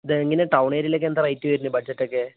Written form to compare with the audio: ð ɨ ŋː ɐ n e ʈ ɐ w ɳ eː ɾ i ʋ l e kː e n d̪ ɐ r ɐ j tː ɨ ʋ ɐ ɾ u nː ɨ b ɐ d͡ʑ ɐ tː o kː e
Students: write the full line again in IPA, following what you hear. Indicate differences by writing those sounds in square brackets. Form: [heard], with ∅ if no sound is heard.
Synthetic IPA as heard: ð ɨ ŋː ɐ n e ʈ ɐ w ɳ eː ɾ i [∅] l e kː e n d̪ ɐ r ɐ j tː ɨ ʋ ɐ ɾ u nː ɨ b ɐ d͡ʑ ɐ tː o kː e